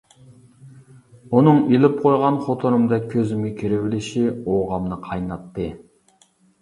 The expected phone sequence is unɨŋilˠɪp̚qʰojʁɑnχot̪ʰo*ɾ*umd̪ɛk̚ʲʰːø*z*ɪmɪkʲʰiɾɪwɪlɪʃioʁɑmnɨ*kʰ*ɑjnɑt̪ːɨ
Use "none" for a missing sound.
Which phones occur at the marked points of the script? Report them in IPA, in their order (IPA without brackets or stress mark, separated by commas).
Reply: ɾ, z, qʰ